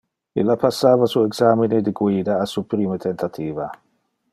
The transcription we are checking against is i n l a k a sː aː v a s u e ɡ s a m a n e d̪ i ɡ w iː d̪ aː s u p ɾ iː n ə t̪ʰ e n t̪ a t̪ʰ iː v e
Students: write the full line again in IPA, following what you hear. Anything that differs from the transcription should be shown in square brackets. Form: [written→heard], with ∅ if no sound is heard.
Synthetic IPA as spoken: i [n→∅] l a [k→p] a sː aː v a s u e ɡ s a m [a→i] n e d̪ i ɡ w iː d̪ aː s u p ɾ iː [n→m] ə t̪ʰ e n t̪ a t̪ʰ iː v [e→a]